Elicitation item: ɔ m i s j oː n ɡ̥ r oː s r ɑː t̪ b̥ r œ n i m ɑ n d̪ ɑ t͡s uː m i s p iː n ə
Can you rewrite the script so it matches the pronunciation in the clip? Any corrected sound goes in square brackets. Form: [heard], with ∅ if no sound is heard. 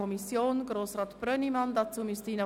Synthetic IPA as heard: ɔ m i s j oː n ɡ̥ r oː s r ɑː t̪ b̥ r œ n i m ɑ n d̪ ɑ t͡s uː m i s [t] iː n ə

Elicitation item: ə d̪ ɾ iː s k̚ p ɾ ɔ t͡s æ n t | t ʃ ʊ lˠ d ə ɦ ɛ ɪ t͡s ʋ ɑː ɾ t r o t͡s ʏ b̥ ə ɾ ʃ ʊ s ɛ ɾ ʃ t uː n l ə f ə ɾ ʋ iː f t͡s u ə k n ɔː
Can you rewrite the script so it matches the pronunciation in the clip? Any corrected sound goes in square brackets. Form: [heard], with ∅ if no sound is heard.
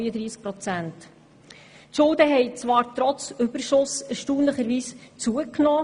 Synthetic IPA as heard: ə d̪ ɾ iː s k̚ p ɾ ɔ t͡s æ n t | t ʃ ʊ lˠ d ə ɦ ɛ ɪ t͡s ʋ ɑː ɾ t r [ɔ] t͡s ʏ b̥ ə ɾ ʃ ʊ s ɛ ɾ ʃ t uː n l ə [χ] ə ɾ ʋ iː [s] t͡s u ə k n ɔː

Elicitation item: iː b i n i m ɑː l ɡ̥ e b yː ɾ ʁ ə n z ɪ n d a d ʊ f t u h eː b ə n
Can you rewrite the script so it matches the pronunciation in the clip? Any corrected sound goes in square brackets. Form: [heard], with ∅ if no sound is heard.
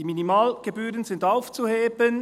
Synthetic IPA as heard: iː [m] i n i m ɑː l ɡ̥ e b yː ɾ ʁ ə n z ɪ n d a [∅] ʊ f [t͡s] u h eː b ə n

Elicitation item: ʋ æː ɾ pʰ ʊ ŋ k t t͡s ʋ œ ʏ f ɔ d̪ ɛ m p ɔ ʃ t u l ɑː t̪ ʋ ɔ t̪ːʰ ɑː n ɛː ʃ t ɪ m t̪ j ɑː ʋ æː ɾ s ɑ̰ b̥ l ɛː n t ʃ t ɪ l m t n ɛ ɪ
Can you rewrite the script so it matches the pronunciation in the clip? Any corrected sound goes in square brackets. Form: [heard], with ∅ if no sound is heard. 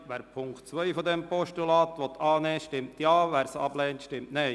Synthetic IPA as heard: ʋ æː ɾ pʰ ʊ ŋ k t t͡s ʋ œ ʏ f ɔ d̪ ɛ m p ɔ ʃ t u l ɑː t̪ ʋ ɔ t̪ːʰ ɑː n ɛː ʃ t ɪ m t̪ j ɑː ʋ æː ɾ s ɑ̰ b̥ l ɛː n t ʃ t ɪ [∅] m t n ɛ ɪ

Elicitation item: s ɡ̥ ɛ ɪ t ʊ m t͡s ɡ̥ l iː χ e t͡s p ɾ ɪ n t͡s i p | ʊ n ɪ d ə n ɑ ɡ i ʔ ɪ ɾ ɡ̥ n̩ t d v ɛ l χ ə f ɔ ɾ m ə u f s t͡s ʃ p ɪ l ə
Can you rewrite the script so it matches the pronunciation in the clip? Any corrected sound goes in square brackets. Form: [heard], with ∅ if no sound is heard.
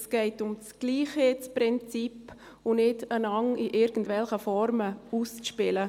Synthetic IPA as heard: s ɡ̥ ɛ ɪ t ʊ m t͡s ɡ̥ l iː χ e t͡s p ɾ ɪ n t͡s i p | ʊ n ɪ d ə n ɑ [ŋ] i ʔ ɪ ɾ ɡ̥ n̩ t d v ɛ l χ ə f ɔ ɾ m ə u [∅] s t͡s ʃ p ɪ l ə

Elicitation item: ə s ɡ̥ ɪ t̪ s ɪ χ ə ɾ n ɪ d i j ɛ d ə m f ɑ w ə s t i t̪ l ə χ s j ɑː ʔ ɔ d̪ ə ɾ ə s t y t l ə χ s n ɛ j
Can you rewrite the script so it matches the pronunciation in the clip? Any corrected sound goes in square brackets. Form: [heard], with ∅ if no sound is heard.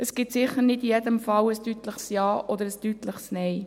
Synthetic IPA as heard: ə s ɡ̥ ɪ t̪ s ɪ χ ə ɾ n ɪ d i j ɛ d ə m f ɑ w ə s t [y] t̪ l ə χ s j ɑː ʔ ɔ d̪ ə ɾ ə s t y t l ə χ s n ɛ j

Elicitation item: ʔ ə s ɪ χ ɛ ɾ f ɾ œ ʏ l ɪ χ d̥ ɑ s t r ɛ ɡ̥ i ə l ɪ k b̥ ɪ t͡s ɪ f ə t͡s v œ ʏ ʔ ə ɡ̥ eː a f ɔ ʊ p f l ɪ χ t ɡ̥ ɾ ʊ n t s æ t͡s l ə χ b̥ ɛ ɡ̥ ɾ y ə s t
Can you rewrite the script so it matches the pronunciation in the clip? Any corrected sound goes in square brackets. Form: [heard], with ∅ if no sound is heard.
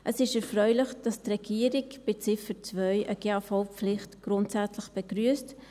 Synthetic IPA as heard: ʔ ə s ɪ [ʃ] ɛ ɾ f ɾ œ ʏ l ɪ χ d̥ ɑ s t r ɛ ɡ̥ i ə [ɾ] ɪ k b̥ ɪ t͡s ɪ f ə t͡s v œ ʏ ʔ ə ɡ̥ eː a f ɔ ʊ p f l ɪ χ t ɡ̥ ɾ ʊ n t s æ t͡s l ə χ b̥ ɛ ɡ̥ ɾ y ə s t

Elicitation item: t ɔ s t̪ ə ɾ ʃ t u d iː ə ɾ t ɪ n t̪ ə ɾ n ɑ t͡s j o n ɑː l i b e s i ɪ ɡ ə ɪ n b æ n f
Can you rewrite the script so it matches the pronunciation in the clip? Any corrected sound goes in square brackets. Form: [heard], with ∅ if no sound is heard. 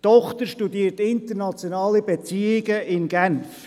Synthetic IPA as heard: t ɔ [χ] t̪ ə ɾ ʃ t u d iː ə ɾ t ɪ n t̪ ə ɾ n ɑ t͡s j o n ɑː l i b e [t͡s] i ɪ ɡ ə ɪ n [ɡ] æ n f

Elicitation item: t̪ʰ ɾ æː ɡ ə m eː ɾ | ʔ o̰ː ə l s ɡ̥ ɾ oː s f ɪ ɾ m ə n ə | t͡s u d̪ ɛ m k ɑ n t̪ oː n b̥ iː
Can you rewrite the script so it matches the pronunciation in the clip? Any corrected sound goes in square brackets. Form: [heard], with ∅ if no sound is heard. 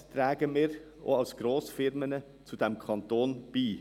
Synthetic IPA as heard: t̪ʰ ɾ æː ɡ ə m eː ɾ | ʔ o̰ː [ɑ] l s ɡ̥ ɾ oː s f ɪ ɾ m ə n ə | t͡s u d̪ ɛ m [kʰ] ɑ n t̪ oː n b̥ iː

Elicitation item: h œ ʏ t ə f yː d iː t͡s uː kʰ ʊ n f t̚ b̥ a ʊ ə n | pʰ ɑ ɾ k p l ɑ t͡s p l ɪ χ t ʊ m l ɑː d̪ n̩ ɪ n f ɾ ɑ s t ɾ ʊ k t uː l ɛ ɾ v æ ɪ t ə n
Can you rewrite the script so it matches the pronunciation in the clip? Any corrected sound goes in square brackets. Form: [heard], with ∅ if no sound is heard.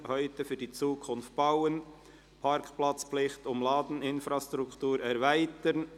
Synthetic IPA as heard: h œ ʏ t ə f yː d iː t͡s uː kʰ ʊ n f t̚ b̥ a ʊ ə n | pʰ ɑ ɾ k p l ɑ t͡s p l ɪ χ t ʊ m l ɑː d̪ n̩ ɪ n f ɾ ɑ s t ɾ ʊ k t uː [ɾ] ɛ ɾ v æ ɪ t ə n

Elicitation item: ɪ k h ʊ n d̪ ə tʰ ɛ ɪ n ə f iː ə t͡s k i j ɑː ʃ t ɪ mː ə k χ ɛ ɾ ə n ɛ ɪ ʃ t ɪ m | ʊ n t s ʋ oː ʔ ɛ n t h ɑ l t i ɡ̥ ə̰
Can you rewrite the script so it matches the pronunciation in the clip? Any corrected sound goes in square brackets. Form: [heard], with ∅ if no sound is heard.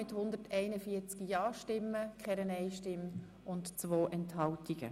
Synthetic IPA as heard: ɪ [t] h ʊ n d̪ ə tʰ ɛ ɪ n ə f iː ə t͡s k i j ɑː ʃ t ɪ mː ə k χ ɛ ɾ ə n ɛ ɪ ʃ t ɪ m | ʊ n t [t͡s] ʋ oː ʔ ɛ n t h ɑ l t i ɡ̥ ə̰

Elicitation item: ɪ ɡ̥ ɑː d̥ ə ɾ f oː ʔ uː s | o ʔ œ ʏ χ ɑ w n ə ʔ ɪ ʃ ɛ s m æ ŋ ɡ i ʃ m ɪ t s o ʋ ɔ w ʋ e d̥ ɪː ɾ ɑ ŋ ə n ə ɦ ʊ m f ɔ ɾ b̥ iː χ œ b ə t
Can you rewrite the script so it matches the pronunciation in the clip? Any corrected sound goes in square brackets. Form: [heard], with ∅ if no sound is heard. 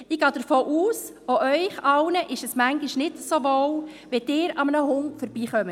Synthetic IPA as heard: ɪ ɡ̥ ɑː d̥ ə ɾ f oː ʔ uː s | o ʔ œ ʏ χ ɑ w n ə ʔ ɪ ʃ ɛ s m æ ŋ ɡ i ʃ [n] ɪ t s o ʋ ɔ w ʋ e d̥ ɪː ɾ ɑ [m] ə n ə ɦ ʊ [ŋ] f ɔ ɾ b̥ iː χ œ [m] ə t

